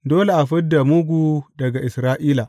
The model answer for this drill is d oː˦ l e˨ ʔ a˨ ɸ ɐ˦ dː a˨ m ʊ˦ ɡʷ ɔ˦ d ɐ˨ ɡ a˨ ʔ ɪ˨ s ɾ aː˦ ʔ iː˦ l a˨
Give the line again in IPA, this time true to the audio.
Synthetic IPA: d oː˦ l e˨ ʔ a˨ ɸ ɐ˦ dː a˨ m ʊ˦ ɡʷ u˦ d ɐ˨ ɡ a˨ ʔ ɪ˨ s ɾ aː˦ ʔ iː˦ l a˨